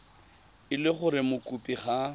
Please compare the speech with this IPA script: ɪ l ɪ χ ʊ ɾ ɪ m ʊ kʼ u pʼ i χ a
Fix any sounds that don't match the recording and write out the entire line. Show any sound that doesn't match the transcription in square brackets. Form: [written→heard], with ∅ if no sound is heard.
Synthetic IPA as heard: ɪ l ɪ χ ʊ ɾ ɪ m ʊ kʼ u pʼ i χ a